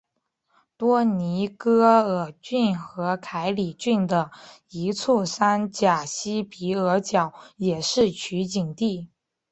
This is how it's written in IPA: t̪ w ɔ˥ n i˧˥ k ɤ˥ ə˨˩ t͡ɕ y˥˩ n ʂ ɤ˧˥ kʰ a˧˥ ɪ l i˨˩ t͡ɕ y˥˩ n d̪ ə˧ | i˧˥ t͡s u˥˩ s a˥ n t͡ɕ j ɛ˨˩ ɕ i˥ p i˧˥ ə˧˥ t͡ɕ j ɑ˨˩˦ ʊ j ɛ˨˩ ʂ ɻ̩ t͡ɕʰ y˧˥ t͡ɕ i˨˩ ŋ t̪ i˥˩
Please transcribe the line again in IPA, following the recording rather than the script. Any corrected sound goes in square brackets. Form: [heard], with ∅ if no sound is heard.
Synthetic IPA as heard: t̪ w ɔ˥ n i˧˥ k ɤ˥ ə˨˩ t͡ɕ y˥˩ n [x] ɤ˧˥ kʰ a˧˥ ɪ l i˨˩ t͡ɕ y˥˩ n d̪ [ə˩] | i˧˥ [t͡sʰ] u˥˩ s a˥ n t͡ɕ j [a˨˩] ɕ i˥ p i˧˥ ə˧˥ t͡ɕ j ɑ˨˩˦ ʊ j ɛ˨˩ ʂ ɻ̩ t͡ɕʰ y˧˥ t͡ɕ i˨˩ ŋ t̪ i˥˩